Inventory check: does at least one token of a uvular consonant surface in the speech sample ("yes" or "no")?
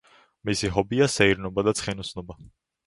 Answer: yes